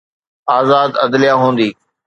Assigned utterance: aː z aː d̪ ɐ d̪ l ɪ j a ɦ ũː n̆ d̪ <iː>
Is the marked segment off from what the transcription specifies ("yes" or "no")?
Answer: no